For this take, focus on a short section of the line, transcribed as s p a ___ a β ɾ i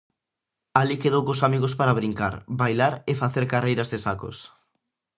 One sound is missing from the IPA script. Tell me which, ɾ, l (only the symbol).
ɾ